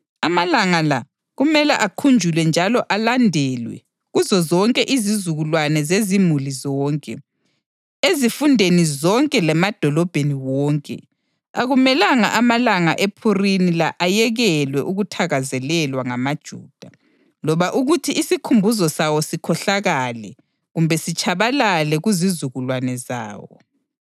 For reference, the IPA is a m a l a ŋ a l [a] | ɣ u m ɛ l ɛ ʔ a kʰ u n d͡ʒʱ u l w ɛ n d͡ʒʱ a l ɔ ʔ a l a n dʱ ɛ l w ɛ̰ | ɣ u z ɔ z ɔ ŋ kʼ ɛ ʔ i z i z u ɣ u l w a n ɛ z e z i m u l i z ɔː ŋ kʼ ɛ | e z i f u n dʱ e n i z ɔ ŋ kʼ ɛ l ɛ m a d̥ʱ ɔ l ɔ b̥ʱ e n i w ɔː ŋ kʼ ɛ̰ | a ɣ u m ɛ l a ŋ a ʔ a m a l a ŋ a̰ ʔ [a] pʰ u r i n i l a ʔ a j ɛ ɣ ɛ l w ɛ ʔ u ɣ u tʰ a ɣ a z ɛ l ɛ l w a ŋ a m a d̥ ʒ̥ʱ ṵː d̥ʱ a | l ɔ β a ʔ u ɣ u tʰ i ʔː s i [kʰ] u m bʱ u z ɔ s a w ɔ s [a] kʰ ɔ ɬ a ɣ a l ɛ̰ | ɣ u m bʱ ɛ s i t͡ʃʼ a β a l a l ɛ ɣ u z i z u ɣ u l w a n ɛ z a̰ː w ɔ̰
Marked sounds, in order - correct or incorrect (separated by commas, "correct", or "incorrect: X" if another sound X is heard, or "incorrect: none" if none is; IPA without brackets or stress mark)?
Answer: correct, incorrect: e, correct, incorrect: i